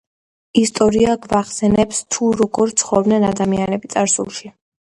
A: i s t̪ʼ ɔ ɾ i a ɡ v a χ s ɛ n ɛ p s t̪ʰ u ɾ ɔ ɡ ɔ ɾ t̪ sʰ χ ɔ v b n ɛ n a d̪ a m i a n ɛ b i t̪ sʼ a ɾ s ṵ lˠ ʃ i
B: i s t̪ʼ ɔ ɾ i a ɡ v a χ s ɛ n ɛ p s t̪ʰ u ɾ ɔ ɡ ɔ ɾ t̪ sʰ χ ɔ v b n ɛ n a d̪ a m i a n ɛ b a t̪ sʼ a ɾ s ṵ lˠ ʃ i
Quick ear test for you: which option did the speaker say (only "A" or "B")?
A